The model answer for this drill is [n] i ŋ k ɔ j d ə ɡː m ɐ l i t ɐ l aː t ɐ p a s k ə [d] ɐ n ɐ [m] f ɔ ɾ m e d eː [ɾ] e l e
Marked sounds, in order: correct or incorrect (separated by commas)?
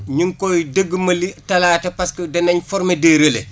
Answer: incorrect, correct, incorrect, correct